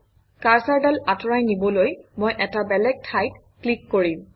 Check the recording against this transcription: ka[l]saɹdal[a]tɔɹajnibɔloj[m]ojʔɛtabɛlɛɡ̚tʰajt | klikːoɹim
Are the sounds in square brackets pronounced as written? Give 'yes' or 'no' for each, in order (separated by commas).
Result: no, yes, yes